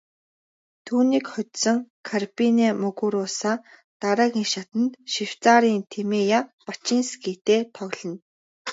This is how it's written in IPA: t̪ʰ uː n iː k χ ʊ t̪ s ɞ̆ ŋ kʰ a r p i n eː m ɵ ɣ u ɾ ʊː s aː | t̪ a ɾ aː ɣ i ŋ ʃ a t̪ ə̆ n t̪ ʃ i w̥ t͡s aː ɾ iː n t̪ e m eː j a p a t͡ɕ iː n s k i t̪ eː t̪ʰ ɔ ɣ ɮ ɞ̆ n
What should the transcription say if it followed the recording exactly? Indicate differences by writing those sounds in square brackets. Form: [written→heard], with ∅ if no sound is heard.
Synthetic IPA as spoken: t̪ʰ uː n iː k χ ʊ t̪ s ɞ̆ ŋ kʰ a r p i n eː m ɵ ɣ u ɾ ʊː s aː | t̪ a ɾ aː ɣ i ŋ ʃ a t̪ ə̆ n t̪ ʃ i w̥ t͡s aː ɾ iː n [t̪→t̪ʰ] e m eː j a p a t͡ɕ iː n s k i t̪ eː t̪ʰ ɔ ɣ ɮ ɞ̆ n